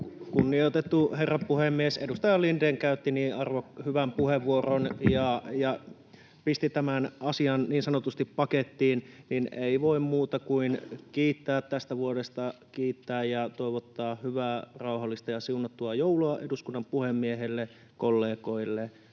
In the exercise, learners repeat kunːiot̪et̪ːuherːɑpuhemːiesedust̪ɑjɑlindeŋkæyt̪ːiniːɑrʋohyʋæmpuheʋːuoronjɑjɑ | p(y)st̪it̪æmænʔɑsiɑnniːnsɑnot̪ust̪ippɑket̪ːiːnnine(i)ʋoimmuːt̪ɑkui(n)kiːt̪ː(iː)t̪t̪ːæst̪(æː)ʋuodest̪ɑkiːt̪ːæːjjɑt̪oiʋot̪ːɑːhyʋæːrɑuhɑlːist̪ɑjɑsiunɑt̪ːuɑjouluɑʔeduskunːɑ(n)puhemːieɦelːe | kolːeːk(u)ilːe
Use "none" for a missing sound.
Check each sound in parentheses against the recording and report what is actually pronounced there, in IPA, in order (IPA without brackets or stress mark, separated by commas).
i, i, n, æː, æ, m, o